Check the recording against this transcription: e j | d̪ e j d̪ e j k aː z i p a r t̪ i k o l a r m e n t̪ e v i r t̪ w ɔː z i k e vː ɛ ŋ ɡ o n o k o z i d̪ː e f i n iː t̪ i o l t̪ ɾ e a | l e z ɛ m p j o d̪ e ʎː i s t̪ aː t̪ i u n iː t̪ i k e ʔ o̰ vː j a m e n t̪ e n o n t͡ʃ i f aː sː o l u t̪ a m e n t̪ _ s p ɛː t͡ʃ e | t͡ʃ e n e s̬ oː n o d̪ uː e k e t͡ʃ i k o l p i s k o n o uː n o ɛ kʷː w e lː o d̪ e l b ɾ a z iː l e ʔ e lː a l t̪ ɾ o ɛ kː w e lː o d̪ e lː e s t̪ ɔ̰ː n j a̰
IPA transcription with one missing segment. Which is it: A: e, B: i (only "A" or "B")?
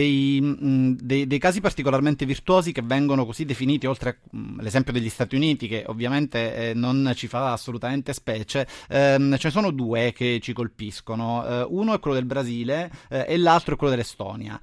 A